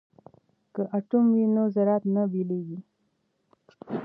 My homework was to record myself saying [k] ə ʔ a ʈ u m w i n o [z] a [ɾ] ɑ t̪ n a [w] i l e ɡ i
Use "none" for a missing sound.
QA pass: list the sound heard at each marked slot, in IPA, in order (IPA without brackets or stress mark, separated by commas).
k, z, ɾ, b